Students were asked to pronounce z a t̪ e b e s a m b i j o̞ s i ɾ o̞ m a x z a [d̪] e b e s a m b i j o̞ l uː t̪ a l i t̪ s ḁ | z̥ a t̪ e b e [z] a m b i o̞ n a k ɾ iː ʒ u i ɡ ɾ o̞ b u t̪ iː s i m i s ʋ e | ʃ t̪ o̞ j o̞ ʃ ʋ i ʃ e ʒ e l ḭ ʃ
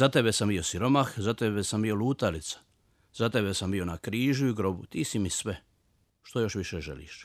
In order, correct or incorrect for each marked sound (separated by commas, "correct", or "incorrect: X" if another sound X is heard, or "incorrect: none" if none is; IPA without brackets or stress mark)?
incorrect: t̪, incorrect: s